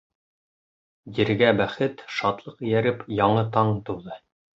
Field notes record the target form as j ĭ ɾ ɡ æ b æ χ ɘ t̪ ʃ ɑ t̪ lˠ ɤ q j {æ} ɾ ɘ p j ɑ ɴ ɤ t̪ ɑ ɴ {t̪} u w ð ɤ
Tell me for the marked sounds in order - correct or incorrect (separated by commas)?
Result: correct, correct